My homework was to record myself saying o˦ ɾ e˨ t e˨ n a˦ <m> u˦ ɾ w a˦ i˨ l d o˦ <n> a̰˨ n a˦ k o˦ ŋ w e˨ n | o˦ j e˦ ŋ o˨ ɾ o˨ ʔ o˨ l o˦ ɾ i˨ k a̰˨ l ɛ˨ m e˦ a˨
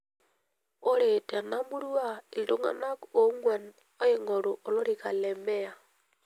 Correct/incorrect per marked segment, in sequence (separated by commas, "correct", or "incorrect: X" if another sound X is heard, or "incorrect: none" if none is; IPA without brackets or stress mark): correct, incorrect: ŋ